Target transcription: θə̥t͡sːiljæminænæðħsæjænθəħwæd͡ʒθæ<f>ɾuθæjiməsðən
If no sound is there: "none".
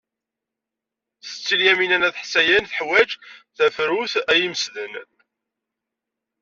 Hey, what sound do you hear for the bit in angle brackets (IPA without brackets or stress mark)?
f